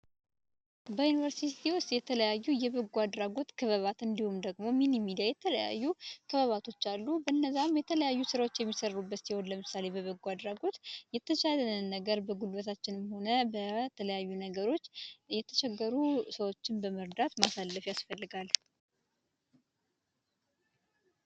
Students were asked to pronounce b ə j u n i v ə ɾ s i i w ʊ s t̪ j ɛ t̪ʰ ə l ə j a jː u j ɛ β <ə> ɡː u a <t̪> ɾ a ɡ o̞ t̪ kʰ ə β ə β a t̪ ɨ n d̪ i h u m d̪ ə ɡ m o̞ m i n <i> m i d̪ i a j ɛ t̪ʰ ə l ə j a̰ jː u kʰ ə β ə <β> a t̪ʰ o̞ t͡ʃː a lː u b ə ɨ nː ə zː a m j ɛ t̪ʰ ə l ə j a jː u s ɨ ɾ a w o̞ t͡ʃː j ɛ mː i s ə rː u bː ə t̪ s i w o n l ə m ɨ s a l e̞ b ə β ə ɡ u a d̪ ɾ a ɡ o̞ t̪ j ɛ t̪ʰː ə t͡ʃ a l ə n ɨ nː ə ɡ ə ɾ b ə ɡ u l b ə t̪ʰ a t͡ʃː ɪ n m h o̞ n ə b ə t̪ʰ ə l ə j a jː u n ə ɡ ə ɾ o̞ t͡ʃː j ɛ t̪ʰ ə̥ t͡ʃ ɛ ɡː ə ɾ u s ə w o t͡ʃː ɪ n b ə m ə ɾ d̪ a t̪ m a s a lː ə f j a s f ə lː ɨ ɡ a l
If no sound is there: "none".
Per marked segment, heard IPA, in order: ə, d̪, i, β

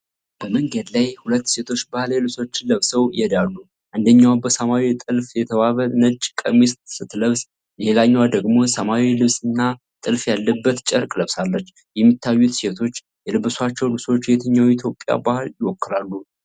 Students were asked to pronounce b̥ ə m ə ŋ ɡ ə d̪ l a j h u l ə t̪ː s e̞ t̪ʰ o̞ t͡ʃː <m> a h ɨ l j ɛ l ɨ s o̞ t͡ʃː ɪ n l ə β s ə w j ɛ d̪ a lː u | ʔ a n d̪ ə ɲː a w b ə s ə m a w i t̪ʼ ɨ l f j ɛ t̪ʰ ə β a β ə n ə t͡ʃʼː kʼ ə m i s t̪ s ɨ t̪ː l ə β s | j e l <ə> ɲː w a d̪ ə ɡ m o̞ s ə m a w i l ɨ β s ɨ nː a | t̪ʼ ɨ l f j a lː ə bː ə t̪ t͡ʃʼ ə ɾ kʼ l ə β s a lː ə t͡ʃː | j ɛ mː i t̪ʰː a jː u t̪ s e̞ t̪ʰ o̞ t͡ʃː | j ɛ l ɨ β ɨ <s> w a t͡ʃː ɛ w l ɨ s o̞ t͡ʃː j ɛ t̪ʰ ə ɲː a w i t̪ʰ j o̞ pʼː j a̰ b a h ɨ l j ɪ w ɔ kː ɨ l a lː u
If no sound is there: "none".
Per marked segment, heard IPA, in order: b, a, s

